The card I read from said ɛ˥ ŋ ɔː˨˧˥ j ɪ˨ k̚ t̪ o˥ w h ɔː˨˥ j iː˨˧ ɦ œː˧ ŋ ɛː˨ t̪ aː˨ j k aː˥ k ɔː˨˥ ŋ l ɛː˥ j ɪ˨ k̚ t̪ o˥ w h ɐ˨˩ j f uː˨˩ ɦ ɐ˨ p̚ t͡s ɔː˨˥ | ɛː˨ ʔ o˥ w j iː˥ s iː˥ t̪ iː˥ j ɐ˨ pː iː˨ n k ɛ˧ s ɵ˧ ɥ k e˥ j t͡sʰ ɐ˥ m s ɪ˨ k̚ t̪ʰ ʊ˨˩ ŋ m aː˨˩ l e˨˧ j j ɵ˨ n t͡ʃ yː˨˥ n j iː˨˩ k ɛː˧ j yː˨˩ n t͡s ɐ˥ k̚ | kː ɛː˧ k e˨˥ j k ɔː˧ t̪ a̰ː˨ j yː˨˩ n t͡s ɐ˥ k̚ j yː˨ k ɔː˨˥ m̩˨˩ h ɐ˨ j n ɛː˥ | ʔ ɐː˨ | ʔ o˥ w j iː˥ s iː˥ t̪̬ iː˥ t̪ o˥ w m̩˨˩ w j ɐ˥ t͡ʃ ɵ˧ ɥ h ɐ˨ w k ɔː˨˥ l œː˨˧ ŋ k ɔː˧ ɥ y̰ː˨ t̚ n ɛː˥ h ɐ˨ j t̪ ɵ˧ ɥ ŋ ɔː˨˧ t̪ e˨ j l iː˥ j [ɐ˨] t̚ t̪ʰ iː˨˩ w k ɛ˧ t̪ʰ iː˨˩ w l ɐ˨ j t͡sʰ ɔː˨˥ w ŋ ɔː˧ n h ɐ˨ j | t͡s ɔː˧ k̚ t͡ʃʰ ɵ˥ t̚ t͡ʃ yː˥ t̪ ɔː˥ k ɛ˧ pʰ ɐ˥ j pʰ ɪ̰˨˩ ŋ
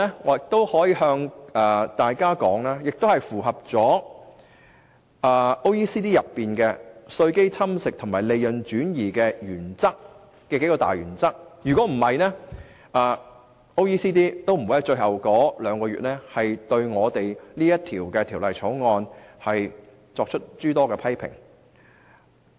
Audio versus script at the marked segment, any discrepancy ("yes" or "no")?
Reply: yes